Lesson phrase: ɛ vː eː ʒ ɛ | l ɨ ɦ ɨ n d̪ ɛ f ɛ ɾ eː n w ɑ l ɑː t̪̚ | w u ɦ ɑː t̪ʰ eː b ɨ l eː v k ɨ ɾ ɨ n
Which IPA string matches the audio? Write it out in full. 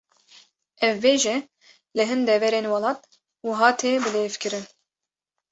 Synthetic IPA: ɛ vː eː ʒ ɛ | l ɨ ɦ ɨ n d̪ ɛ v ɛ ɾ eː n w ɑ l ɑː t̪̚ | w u ɦ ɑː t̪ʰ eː b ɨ l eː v k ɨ ɾ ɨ n